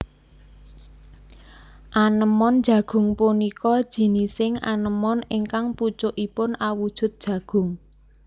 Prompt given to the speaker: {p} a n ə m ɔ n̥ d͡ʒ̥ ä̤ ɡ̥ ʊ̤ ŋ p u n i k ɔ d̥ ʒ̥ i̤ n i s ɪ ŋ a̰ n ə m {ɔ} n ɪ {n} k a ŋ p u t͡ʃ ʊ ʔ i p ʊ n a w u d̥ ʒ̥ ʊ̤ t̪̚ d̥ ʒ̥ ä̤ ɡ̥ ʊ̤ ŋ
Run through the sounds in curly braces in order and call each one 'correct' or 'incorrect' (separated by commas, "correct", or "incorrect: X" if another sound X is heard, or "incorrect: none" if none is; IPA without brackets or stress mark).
incorrect: ʔ, correct, incorrect: ŋ